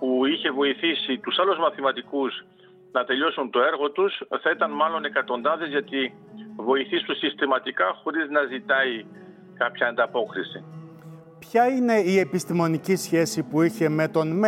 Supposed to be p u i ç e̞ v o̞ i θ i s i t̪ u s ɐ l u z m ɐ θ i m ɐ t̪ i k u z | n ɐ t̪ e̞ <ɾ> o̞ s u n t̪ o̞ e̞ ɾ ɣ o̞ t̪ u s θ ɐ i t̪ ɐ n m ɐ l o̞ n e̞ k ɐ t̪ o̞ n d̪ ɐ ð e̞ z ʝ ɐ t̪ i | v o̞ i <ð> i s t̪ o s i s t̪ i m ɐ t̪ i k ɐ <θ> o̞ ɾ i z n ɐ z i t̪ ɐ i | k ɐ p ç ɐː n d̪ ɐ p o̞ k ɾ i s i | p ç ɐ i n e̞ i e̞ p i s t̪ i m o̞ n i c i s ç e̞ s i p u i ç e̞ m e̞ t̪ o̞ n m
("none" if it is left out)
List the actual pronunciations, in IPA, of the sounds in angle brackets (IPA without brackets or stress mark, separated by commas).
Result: ʎ, θ, x